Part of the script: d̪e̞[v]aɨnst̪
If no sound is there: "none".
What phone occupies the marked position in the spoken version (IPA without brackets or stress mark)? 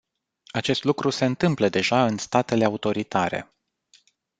ʒ